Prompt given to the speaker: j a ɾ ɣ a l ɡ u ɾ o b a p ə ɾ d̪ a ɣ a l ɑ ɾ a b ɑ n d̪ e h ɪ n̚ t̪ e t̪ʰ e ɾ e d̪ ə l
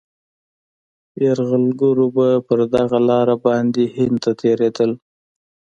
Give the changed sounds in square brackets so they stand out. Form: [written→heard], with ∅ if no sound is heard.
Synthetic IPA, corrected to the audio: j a ɾ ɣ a l ɡ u ɾ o b a p ə ɾ d̪ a ɣ a l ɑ ɾ a b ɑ n d̪ e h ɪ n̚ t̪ [e→a] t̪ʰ e ɾ e d̪ ə l